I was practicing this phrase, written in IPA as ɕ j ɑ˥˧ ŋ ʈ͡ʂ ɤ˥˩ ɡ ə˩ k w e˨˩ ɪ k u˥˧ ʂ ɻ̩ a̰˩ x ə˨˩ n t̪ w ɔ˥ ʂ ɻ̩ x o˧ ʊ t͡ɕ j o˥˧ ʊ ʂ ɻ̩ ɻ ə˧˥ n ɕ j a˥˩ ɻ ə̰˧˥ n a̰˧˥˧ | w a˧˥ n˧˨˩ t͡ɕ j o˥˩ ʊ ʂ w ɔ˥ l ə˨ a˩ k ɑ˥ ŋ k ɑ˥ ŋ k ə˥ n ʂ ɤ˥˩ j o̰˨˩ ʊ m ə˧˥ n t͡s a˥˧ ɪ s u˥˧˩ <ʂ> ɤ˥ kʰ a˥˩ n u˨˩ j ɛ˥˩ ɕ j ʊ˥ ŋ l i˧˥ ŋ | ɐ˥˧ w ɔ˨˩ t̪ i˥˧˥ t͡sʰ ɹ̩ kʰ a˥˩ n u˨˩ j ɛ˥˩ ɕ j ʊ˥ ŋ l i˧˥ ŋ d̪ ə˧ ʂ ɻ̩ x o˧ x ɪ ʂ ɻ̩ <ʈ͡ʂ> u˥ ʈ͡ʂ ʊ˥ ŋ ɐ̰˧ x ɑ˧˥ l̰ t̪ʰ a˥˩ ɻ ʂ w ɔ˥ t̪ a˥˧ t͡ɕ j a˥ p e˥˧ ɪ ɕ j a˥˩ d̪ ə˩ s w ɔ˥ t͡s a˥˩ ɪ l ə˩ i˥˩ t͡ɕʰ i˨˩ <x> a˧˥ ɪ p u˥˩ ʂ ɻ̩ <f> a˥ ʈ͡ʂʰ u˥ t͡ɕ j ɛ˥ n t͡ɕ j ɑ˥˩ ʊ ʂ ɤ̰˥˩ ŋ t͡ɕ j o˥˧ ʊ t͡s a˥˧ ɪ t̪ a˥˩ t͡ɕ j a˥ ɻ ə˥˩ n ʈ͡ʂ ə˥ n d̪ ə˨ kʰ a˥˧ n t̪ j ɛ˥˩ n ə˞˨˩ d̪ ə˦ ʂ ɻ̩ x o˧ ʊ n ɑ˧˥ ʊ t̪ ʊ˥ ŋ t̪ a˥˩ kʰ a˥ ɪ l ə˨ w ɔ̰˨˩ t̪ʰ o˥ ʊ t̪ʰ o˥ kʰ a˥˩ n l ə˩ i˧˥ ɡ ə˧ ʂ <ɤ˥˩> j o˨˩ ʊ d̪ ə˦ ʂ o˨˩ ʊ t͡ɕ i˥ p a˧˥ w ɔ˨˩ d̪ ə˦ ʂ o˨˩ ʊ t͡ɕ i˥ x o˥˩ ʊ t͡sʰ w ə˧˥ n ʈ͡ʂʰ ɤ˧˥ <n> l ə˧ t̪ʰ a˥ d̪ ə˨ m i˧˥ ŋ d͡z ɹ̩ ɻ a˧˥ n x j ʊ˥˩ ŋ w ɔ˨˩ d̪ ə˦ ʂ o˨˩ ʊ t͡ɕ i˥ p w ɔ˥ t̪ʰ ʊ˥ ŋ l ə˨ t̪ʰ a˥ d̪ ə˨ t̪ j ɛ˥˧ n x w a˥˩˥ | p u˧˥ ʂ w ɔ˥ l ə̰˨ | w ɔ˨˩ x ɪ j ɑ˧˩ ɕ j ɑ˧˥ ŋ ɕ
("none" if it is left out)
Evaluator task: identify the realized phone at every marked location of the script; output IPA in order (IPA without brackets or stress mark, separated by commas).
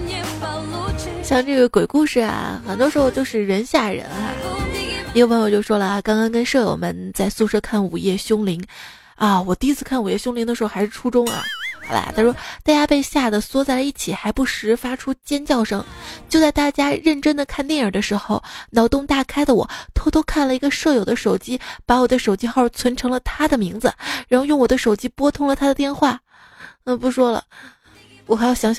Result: ʂ, ʈ͡ʂʰ, x, f, ɤ˥˩, ŋ